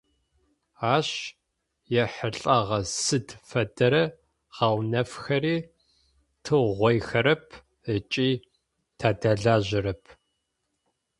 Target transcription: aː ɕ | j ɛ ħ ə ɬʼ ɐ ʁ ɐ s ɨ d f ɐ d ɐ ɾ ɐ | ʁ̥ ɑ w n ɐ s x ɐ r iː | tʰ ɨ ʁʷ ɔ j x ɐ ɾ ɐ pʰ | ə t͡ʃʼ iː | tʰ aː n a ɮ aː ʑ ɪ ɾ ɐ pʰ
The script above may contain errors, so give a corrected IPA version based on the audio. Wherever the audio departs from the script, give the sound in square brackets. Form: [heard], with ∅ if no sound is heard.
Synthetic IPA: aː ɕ | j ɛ ħ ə ɬʼ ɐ ʁ ɐ s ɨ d f ɐ d ɐ ɾ ɐ | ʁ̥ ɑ w n ɐ [f] x ɐ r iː | tʰ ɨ ʁʷ ɔ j x ɐ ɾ ɐ pʰ | ə t͡ʃʼ iː | tʰ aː [d] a ɮ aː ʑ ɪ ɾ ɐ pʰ